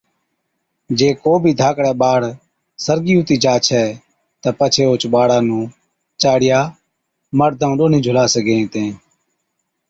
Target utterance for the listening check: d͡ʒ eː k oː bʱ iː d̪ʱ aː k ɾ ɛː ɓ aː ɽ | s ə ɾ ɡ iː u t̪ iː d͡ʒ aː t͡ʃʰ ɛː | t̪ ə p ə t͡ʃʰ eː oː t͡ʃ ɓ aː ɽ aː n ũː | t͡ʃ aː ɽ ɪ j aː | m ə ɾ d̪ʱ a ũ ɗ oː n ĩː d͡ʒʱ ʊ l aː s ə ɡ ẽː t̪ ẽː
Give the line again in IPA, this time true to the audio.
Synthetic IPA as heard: d͡ʒ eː k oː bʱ iː d̪ʱ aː k ɽ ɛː ɓ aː ɽ | s ə ɾ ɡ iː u t̪ iː d͡ʒ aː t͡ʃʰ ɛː | t̪ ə p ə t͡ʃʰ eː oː t͡ʃ ɓ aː ɽ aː n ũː | t͡ʃ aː ɽ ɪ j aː | m ə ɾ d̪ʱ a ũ ɗ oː n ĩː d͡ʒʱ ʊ l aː s ə ɡ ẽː t̪ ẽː